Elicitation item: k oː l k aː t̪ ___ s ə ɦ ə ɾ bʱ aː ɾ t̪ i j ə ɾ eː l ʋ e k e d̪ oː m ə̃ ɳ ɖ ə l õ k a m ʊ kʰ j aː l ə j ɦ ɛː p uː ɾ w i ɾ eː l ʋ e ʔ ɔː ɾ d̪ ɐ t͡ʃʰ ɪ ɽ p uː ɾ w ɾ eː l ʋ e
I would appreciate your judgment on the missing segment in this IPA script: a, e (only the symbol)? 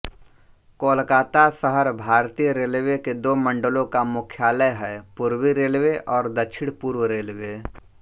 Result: a